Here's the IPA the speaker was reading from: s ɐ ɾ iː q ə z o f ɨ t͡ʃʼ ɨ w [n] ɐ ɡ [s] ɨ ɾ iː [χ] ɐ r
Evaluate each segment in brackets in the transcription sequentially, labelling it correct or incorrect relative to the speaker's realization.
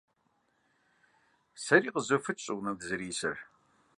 correct, incorrect, incorrect

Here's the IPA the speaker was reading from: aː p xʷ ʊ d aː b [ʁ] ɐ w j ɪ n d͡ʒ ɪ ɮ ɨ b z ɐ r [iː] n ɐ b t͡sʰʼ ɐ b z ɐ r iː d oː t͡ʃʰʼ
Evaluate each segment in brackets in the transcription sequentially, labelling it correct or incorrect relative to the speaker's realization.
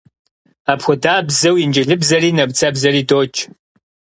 incorrect, correct

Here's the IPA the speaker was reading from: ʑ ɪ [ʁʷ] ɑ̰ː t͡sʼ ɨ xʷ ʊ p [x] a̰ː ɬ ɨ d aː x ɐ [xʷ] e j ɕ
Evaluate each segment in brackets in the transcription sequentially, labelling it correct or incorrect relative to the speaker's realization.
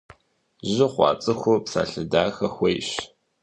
incorrect, incorrect, correct

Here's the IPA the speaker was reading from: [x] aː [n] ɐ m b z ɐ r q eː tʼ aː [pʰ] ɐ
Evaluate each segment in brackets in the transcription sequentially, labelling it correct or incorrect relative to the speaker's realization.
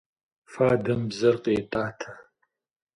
incorrect, incorrect, incorrect

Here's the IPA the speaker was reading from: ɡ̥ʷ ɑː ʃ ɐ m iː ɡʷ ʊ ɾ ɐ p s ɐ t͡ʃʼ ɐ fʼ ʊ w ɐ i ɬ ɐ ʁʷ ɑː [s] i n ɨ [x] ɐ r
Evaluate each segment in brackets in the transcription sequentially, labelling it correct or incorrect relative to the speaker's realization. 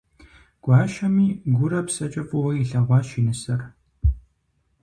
incorrect, incorrect

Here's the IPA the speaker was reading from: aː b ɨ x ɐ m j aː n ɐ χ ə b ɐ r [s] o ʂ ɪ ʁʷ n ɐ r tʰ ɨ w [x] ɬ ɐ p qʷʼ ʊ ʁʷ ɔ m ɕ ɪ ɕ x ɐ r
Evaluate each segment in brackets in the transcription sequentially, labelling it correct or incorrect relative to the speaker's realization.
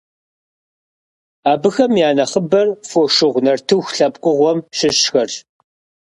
incorrect, correct

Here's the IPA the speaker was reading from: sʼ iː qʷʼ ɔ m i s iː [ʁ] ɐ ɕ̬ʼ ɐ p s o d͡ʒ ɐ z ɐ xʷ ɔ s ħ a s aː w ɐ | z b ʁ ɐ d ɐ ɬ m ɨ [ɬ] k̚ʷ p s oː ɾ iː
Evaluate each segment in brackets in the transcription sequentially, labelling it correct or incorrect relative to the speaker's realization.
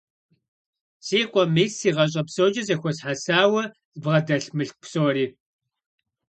correct, correct

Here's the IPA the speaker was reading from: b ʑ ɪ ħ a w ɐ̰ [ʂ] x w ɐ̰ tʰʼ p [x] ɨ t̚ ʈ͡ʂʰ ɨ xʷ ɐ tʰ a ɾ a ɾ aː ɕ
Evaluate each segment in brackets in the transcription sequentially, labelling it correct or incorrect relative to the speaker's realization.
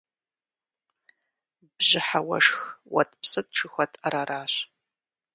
correct, incorrect

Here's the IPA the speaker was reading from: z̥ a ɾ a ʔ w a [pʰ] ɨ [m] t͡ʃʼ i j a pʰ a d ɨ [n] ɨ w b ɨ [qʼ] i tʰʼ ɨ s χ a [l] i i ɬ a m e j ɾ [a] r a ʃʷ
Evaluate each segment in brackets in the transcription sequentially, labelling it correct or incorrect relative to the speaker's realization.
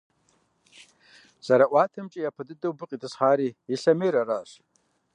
incorrect, correct, incorrect, correct, incorrect, correct

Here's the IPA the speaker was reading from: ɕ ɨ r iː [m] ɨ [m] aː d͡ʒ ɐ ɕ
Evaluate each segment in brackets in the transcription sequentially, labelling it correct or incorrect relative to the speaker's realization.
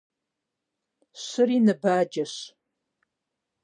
incorrect, incorrect

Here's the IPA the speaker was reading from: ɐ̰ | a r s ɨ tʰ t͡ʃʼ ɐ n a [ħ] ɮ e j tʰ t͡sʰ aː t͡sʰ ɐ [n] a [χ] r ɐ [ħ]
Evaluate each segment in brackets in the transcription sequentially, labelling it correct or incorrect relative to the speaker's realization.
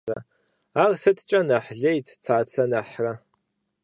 correct, correct, incorrect, incorrect

